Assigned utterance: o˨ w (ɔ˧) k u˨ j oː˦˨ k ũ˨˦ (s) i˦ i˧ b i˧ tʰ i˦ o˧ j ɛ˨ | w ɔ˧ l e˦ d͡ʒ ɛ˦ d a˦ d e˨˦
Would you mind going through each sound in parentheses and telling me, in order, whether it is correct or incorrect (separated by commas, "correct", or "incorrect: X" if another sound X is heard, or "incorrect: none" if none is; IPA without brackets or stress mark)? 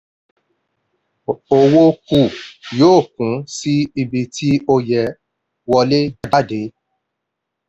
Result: incorrect: o˧, correct